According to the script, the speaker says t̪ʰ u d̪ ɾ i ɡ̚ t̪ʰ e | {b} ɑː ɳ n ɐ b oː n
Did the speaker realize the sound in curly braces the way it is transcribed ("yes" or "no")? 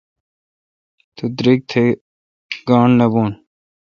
no